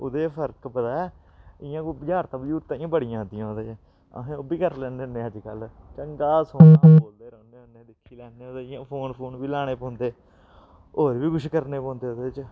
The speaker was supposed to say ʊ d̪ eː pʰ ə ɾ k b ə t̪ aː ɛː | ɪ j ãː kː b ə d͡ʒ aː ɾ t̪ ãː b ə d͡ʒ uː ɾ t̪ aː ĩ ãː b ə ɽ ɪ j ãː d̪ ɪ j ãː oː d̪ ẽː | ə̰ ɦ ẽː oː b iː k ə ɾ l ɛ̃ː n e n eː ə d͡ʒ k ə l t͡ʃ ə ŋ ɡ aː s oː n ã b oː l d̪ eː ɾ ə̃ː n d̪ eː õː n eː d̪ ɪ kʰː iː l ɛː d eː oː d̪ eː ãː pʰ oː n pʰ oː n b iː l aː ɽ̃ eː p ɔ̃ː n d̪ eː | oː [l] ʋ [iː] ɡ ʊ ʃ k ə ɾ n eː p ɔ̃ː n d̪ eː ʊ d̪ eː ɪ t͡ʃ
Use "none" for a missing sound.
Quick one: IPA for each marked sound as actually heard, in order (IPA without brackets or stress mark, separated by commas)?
ɾ, iː